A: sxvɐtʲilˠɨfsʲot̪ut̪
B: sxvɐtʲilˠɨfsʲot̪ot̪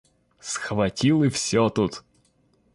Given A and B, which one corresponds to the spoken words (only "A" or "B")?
A